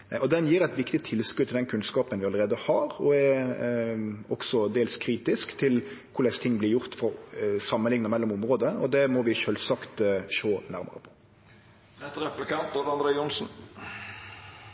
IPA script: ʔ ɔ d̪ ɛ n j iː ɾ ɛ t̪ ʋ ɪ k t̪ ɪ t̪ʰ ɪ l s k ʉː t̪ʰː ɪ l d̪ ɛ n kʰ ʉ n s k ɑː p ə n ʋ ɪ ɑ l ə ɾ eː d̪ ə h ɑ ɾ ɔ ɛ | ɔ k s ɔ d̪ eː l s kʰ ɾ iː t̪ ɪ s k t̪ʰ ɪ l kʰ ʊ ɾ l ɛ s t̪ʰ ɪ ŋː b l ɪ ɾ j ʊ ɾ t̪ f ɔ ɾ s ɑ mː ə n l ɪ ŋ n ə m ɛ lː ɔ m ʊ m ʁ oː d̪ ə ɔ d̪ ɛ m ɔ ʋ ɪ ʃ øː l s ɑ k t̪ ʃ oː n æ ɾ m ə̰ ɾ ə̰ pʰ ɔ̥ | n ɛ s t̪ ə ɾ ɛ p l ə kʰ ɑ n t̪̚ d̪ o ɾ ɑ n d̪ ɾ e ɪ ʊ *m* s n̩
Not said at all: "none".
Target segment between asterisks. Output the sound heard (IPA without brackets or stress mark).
n